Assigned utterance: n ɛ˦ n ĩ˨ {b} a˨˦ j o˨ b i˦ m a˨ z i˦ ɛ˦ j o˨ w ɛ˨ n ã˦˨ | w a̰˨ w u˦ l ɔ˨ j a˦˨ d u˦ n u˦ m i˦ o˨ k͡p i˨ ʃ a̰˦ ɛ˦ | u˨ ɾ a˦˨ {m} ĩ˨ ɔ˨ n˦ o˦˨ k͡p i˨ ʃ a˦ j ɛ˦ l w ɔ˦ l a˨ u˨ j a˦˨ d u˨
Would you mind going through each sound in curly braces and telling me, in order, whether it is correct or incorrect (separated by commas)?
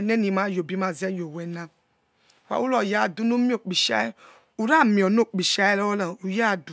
incorrect, correct